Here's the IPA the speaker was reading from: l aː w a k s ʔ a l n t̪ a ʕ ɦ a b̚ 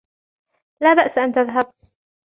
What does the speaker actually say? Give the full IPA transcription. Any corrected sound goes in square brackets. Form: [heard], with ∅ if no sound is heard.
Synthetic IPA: l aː [b] a [ʔ] s ʔ a [∅] n t̪ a [ð] ɦ a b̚